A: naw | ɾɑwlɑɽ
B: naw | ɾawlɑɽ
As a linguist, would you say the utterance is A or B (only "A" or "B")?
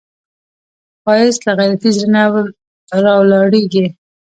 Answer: A